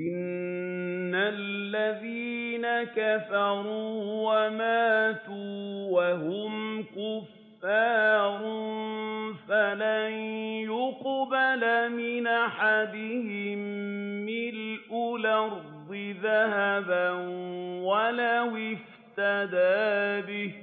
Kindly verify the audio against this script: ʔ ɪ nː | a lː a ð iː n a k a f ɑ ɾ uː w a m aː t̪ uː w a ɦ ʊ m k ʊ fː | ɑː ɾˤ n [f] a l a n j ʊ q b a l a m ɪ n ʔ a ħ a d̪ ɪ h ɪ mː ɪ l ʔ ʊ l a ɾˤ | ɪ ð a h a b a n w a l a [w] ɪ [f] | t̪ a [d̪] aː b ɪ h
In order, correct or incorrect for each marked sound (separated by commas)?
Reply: correct, correct, correct, correct